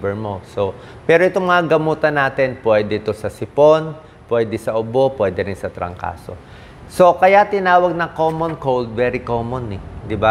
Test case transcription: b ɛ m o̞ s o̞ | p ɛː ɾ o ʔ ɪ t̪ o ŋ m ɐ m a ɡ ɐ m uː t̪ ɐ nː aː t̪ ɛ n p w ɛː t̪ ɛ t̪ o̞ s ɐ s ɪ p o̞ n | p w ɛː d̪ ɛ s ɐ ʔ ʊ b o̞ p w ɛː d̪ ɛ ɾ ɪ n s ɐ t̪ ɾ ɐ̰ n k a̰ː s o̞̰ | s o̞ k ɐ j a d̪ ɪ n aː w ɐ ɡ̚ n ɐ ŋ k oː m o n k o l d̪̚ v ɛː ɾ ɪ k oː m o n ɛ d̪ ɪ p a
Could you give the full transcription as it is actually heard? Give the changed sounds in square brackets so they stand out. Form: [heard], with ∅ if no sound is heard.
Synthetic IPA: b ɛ m o̞ s o̞ | p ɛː ɾ o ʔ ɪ t̪ o ŋ m ɐ [ŋ] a ɡ ɐ m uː t̪ ɐ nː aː t̪ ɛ n p w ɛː [d̪] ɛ t̪ o̞ s ɐ s ɪ p o̞ n | p w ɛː d̪ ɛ s ɐ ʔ ʊ b o̞ p w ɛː d̪ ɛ ɾ ɪ n s ɐ t̪ ɾ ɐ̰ [ŋ] k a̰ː s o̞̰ | s o̞ k ɐ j a [t̪] ɪ n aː w ɐ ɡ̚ n ɐ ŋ k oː m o n k o l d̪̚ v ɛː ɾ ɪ k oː m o n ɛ d̪ ɪ [b] a